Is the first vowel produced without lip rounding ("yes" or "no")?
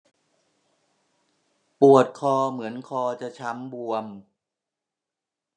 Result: no